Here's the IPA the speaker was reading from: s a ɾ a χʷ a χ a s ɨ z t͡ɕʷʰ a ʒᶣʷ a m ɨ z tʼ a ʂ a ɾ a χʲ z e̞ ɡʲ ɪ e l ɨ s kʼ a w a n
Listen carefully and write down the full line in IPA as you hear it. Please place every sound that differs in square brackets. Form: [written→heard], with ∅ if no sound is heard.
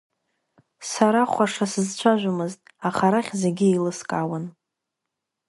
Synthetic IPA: s a ɾ a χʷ a [χ→ʂ] a s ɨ z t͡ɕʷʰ a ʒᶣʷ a m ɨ z tʼ a [ʂ→χ] a ɾ a χʲ z e̞ ɡʲ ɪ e l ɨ s kʼ a w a n